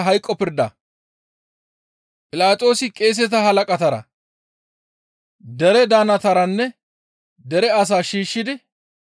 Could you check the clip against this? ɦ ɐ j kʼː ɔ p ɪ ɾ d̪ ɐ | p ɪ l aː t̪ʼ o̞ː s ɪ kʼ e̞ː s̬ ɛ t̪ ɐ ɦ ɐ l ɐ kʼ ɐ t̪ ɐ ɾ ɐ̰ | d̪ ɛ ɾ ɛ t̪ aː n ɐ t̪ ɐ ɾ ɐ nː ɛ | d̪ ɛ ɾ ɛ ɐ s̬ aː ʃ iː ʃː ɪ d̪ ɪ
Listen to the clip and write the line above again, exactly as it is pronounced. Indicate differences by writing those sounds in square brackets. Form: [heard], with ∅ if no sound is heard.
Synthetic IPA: ɦ ɐ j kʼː ɔ p ɪ ɾ d̪ ɐ | [pʼ] ɪ l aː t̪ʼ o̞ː s ɪ kʼ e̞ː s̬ ɛ t̪ ɐ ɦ ɐ l ɐ kʼ ɐ t̪ ɐ ɾ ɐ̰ | d̪ ɛ ɾ ɛ [d̪] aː n ɐ t̪ ɐ ɾ ɐ nː ɛ | d̪ ɛ ɾ ɛ ɐ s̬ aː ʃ iː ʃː ɪ d̪ ɪ